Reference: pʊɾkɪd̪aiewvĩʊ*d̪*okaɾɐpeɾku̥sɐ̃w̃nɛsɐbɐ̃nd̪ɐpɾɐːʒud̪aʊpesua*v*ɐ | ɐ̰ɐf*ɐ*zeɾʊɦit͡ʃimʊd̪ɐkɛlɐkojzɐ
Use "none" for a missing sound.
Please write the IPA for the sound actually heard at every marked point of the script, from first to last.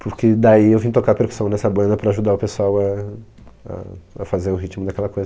t̪, w, a

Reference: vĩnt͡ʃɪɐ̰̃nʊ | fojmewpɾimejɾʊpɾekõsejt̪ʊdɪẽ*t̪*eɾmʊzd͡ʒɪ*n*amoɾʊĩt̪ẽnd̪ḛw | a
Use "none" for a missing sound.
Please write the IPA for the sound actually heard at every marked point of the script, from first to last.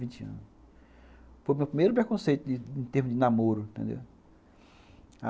t̪, n

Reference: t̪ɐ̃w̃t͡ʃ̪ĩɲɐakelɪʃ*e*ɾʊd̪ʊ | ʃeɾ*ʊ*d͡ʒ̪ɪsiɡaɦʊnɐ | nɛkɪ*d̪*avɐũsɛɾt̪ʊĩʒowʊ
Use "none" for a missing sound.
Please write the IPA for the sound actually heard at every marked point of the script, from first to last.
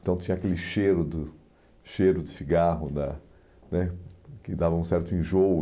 e, ʊ, d̪

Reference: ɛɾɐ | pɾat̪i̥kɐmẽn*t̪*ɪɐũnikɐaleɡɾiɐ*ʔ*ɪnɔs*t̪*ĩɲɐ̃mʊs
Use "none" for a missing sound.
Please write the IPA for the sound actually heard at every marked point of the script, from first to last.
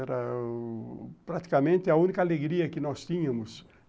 t̪, k, t̪

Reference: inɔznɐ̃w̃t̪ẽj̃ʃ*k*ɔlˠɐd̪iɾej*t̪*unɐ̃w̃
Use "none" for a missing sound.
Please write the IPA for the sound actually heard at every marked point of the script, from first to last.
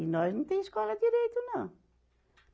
k, t̪

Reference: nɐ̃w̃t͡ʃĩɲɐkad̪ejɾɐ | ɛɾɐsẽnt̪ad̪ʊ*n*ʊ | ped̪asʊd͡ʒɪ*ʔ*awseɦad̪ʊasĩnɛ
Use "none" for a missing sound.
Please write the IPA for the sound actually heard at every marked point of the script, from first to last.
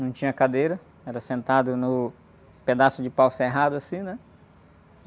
n, p

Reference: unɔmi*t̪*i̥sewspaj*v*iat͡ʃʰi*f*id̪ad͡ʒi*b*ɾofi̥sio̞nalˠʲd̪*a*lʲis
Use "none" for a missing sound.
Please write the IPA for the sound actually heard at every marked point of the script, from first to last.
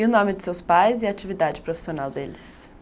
d̪, z, v, p, e

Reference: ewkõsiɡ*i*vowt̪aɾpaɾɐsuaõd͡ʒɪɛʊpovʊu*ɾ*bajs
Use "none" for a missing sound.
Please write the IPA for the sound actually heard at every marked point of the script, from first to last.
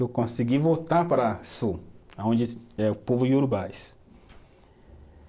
i, ɾ

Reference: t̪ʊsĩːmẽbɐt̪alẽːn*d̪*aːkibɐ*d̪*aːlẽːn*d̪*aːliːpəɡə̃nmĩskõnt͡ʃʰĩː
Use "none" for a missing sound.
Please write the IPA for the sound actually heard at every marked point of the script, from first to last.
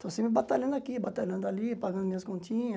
d̪, t̪, d̪

